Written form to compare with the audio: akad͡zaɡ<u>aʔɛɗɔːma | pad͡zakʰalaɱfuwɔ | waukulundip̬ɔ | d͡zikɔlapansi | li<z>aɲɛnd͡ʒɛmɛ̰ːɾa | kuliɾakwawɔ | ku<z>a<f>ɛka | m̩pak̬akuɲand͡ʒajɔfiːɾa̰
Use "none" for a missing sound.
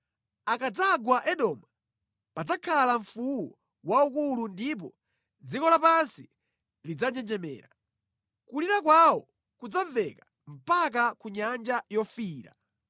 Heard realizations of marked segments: w, d͡z, d͡z, v

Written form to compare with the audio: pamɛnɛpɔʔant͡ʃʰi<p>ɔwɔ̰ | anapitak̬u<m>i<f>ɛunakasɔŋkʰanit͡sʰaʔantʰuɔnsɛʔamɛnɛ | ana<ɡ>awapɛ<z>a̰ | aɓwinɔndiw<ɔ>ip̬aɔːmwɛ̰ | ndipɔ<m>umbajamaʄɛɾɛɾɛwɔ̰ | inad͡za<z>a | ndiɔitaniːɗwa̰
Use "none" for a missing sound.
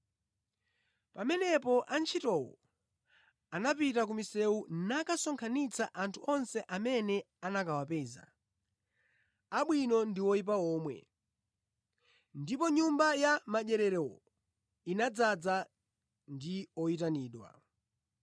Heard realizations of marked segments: t, m, s, k, z, ɔ, ɲ, d͡z

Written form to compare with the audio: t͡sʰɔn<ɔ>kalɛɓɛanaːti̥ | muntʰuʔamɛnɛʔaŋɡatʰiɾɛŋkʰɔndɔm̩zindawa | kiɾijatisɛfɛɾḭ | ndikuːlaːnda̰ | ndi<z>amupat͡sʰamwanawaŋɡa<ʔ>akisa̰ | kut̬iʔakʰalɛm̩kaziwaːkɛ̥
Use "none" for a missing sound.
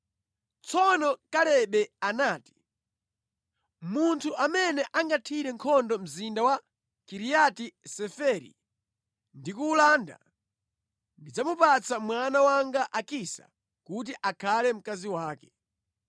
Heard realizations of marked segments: ɔ, d͡z, ʔ

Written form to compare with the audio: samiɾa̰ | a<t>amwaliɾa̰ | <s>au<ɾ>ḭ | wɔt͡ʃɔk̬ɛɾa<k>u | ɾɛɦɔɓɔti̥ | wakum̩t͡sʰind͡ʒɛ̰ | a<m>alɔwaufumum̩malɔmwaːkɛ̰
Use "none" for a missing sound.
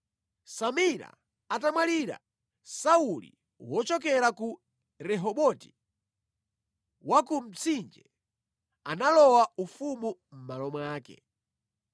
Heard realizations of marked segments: t, s, l, k, n

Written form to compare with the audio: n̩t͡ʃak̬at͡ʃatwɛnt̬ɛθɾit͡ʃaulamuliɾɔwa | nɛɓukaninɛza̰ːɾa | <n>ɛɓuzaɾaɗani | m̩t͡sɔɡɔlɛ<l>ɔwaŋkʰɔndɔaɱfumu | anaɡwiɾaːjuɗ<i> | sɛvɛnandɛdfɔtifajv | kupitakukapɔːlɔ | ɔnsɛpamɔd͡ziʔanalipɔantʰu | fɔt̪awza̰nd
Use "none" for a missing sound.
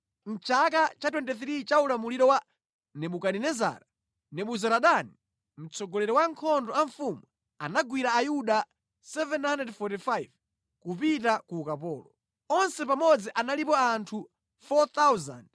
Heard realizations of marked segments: n, ɾ, a

